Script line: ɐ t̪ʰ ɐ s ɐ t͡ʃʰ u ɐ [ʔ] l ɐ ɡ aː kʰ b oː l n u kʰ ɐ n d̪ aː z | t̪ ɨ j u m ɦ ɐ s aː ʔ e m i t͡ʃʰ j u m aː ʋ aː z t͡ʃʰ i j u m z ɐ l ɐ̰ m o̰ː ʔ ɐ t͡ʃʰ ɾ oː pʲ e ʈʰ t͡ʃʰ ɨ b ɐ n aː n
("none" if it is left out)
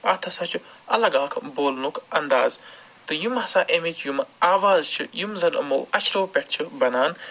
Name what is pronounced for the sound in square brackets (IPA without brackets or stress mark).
none